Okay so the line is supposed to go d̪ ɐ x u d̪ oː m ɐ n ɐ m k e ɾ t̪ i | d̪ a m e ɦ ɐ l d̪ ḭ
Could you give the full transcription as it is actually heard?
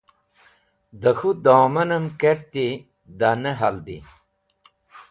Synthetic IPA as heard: d̪ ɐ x u d̪ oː m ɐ n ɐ m k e ɾ t̪ i | d̪ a n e ɦ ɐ l d̪ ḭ